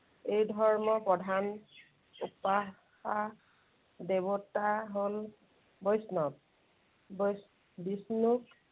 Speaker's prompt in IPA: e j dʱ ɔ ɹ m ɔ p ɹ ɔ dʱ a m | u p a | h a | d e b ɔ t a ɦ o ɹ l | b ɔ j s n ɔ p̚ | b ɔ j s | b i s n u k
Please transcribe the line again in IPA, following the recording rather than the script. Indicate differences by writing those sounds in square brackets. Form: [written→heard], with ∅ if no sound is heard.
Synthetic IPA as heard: e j dʱ ɔ ɹ m ɔ p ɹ ɔ dʱ a [m→n] | u p a | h a | d e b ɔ t a ɦ o [ɹ→∅] l | b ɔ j s n ɔ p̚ | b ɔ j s | b i s n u k

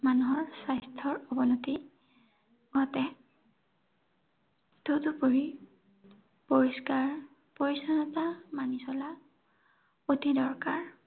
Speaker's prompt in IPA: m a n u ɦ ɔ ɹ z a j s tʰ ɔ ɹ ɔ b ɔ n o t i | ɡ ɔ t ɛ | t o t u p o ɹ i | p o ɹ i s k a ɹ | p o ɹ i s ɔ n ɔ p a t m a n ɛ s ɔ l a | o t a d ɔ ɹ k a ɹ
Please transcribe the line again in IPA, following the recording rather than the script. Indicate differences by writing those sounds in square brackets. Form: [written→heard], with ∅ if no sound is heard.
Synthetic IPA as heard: m a n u ɦ ɔ ɹ [z→s] a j s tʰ ɔ ɹ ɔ b ɔ n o t i | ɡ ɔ t ɛ | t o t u p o ɹ i | p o ɹ i s k a ɹ | p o ɹ i s ɔ n ɔ [p→t] a [t→∅] m a n [ɛ→i] s ɔ l a | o t [a→i] d ɔ ɹ k a ɹ

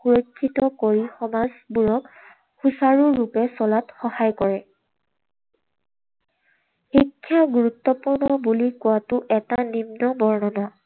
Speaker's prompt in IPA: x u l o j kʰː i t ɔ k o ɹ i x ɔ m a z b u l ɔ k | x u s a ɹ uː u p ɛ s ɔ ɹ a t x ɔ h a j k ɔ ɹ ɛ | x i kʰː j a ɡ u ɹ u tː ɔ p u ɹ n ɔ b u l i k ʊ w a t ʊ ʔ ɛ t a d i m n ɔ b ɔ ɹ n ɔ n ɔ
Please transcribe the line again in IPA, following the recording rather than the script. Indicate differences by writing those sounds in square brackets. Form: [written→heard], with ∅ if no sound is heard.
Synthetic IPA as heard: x u [l→ɹ] o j kʰː i t ɔ k o ɹ i x ɔ m a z b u [l→ɹ] ɔ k | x u s a ɹ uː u p ɛ s ɔ [ɹ→l] a t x ɔ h a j k ɔ ɹ ɛ | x i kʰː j a ɡ u ɹ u tː ɔ p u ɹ n ɔ b u l i k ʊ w a t ʊ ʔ ɛ t a [d→n] i m n ɔ b ɔ ɹ n ɔ n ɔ

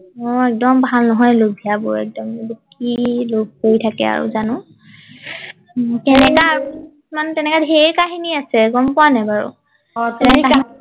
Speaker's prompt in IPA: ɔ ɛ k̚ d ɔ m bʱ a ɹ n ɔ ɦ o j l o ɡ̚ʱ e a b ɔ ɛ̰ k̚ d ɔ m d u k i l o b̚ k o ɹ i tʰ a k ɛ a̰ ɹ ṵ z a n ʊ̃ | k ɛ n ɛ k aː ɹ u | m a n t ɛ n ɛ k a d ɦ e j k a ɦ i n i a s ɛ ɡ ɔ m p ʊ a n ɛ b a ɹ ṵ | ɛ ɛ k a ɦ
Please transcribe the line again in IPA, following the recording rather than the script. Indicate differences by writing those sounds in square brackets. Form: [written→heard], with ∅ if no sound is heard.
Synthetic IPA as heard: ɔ ɛ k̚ d ɔ m bʱ a [ɹ→l] n ɔ ɦ [o→ɔ] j l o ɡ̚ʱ [e→i] a b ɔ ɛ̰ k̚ d ɔ m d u k i l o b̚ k o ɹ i tʰ a k ɛ a̰ ɹ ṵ z a n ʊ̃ | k ɛ n ɛ k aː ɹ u | m a n t ɛ n ɛ k a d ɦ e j k a ɦ i n i a s ɛ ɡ ɔ m p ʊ a n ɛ b a ɹ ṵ | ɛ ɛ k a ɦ

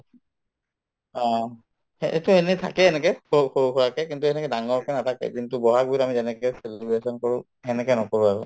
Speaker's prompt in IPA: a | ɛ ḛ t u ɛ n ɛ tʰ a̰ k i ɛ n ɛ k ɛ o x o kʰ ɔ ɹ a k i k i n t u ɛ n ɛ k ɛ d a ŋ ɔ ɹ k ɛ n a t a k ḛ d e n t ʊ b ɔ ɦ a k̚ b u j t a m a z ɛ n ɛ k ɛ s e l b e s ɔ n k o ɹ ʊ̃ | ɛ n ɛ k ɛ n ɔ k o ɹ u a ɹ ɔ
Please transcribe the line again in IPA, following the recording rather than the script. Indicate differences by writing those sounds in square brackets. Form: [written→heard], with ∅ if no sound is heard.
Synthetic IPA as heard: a | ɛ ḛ t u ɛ n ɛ tʰ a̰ k [i→ɛ] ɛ n ɛ k ɛ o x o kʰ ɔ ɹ a k [i→ɛ] k i n t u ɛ n ɛ k ɛ d a ŋ ɔ ɹ k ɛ n a t a k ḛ d [e→i] n t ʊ b ɔ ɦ a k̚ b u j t a m [a→i] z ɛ n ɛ k ɛ s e l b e s ɔ n k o ɹ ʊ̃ | ɛ n ɛ k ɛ n ɔ k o ɹ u a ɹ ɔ

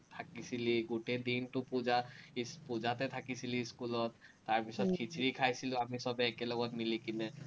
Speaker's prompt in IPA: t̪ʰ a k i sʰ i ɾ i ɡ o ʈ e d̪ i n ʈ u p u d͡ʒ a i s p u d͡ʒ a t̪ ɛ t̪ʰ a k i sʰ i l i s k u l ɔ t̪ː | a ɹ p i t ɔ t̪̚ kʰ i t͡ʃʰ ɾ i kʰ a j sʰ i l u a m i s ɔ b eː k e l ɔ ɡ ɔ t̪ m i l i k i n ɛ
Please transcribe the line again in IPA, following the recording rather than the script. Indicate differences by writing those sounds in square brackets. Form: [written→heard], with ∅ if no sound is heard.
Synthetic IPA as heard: t̪ʰ a k i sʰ i [ɾ→l] i ɡ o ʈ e d̪ i n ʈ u p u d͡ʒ a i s p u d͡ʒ a t̪ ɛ t̪ʰ a k i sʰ i l i s k u l ɔ t̪ː | a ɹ p i [t→s] ɔ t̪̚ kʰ i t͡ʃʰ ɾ i kʰ a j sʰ i l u a m i s ɔ b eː k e l ɔ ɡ ɔ t̪ m i l i k i n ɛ

